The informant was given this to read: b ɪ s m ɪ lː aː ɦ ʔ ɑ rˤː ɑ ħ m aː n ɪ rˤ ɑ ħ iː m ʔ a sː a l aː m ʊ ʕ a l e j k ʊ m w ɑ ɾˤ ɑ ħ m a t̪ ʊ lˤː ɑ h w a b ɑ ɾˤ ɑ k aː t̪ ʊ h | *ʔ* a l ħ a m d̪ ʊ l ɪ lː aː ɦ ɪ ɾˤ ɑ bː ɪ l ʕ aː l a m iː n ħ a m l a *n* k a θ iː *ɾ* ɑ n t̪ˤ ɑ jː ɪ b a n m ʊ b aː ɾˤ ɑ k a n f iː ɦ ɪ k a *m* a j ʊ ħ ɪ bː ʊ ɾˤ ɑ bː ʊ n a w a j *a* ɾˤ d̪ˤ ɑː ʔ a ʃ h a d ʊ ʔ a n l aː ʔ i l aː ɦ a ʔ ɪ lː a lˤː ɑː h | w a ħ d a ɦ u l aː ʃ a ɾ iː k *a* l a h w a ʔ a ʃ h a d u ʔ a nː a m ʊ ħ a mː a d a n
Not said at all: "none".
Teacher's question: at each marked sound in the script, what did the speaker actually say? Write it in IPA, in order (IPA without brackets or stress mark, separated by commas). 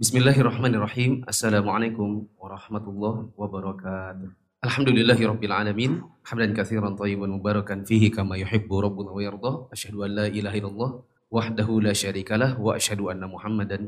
ʔ, n, ɾ, m, ɑ, a